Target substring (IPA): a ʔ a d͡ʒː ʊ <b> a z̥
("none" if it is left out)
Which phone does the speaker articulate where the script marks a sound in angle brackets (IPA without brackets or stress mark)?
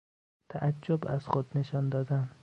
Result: b